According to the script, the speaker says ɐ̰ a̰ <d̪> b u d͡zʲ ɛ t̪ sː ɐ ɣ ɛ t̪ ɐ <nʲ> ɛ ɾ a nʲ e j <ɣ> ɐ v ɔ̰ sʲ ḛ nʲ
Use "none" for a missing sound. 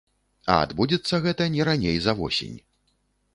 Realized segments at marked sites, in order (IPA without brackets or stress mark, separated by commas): d̪, nʲ, z